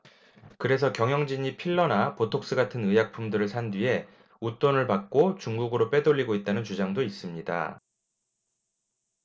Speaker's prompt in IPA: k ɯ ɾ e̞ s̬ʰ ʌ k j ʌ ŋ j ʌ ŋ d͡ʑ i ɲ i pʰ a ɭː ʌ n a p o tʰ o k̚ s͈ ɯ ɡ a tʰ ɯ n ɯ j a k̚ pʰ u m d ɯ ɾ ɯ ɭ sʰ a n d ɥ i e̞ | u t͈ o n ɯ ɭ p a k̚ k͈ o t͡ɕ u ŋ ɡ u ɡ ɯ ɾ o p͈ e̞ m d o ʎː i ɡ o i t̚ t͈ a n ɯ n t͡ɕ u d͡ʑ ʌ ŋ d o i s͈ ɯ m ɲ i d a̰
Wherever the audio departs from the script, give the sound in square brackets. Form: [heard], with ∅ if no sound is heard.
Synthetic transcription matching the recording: k ɯ ɾ e̞ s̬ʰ ʌ k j ʌ ŋ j ʌ ŋ d͡ʑ i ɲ i pʰ [i] ɭː ʌ n a p o tʰ o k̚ s͈ ɯ ɡ a tʰ ɯ n ɯ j a k̚ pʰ u m d ɯ ɾ ɯ ɭ sʰ a n d ɥ i e̞ | u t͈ o n ɯ ɭ p a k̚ k͈ o t͡ɕ u ŋ ɡ u ɡ ɯ ɾ o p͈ e̞ [∅] d o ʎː i ɡ o i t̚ t͈ a n ɯ n t͡ɕ u d͡ʑ [a] ŋ d o i s͈ ɯ m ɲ i d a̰